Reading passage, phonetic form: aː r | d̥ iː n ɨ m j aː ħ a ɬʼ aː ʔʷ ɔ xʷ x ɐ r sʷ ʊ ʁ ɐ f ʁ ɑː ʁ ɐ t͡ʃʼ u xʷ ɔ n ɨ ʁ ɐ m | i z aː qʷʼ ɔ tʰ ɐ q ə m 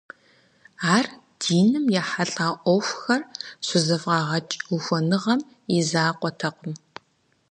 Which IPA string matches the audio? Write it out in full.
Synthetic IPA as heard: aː r | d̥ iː n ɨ m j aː ħ a ɬʼ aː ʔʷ ɔ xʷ x ɐ r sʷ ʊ z ɐ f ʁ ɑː ʁ ɐ t͡ʃʼ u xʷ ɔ n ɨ ʁ ɐ m | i z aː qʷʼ ɔ tʰ ɐ q ə m